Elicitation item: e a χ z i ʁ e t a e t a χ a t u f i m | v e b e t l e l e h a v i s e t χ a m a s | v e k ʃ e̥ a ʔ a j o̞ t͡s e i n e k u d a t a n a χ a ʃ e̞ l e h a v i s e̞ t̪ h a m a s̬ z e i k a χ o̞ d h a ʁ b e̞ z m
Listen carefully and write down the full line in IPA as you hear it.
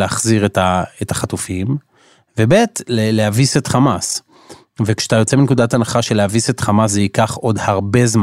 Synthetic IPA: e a χ z i ʁ e t a e t a χ a t u f i m | v e b e t l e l e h a v i s e t χ a m a s | v e k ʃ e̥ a t a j o̞ t͡s e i n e k u d a t a n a χ a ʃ e̞ l e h a v i s e̞ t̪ χ a m a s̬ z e i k a χ o̞ d h a ʁ b e̞ z m